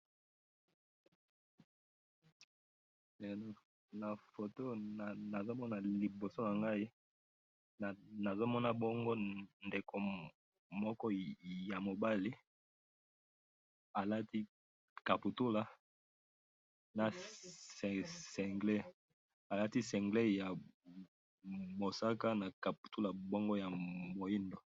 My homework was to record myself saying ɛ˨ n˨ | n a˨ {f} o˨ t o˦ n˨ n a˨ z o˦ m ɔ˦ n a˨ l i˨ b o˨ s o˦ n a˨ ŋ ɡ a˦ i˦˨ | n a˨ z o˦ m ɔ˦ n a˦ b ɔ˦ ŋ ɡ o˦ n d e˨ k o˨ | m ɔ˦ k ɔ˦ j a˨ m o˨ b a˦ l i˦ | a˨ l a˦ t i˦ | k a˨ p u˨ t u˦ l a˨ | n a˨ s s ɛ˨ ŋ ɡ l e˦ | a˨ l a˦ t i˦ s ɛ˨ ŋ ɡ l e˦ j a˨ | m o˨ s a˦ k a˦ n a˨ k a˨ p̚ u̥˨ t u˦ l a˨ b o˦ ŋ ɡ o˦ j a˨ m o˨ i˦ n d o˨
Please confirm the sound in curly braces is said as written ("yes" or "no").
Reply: yes